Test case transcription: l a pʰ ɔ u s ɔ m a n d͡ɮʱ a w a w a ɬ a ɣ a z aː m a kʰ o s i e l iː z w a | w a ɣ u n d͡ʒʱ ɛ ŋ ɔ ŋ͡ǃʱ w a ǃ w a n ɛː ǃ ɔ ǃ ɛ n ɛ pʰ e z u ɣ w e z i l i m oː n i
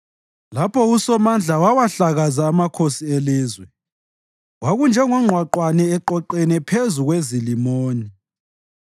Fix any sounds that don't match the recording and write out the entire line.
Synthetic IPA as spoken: l a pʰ ɔ u s ɔ m a n d͡ɮʱ a w a w a ɬ a ɣ a z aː m a kʰ o s i e l iː z w ɛ | w a ɣ u n d͡ʒʱ ɛ ŋ ɔ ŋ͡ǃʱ w a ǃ w a n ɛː ǃ ɔ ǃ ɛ n ɛ pʰ e z u ɣ w e z i l i m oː n i